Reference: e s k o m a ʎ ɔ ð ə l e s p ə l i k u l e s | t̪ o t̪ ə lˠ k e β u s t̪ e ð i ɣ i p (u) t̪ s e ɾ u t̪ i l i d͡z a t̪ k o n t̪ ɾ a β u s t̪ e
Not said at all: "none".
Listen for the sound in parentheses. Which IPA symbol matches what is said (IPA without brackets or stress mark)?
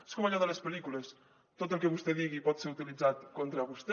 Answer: ɔ